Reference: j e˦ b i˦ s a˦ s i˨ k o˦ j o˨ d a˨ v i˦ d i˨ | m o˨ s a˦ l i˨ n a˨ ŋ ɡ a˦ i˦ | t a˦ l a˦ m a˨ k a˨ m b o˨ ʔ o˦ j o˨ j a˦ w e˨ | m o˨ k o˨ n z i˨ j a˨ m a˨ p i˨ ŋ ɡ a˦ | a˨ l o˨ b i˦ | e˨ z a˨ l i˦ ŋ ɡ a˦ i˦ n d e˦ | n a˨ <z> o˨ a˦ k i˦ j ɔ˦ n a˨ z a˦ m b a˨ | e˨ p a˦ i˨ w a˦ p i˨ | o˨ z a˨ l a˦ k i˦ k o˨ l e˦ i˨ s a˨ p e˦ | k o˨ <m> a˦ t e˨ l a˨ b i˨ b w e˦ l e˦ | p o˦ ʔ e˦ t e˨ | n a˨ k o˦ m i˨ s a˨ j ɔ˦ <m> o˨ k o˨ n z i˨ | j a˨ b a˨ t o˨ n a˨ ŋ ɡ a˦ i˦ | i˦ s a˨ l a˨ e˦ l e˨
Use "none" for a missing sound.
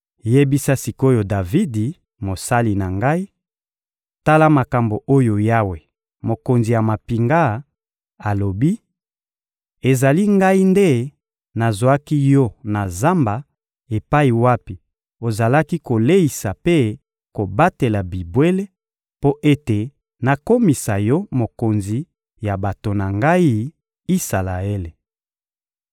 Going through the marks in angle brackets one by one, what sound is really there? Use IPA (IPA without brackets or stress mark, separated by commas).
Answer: z, b, m